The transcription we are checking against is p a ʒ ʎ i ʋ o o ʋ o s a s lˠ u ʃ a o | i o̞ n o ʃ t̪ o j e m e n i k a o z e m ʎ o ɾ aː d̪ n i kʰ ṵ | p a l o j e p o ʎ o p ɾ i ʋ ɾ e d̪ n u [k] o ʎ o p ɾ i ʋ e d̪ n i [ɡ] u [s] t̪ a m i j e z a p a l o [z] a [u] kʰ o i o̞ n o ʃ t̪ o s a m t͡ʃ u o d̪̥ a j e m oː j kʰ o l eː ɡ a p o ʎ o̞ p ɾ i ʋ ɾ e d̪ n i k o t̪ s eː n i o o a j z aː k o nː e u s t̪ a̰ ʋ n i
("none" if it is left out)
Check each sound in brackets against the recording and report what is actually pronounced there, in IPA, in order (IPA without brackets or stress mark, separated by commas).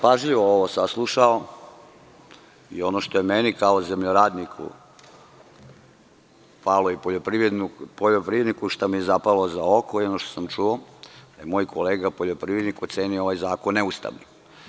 p, k, ʃ, z, o